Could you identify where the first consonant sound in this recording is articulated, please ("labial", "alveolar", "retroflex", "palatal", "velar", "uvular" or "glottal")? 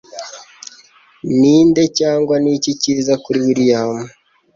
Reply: alveolar